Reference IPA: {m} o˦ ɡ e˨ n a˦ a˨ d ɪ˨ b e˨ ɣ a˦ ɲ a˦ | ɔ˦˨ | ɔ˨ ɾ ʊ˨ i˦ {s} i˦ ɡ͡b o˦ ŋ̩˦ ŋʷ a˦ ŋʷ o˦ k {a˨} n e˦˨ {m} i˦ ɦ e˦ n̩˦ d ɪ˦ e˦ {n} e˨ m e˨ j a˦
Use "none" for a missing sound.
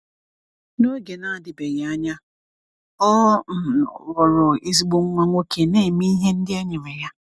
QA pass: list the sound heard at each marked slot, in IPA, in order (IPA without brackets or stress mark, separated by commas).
n, z, e˨, m, ɲ